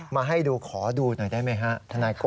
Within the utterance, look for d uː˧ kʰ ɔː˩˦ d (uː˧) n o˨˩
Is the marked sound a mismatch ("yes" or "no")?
no